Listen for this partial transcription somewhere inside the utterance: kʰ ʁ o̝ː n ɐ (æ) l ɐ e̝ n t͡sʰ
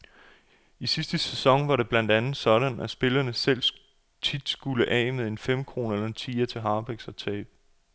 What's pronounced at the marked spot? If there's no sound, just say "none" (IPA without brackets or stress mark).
e